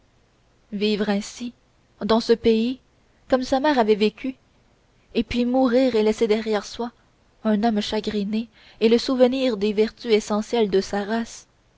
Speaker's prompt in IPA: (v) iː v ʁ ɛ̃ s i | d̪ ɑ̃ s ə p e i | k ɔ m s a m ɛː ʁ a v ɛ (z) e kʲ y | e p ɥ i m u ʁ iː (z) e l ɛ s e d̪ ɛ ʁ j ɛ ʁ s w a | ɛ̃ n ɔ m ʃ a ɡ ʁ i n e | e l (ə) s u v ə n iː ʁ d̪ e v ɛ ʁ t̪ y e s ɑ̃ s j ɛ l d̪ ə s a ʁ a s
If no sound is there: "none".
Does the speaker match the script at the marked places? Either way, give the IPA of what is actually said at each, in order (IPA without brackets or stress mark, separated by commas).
v, v, ʁ, ə